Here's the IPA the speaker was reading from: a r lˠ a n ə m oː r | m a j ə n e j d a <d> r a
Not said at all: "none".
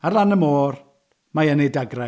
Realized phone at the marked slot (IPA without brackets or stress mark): ɡ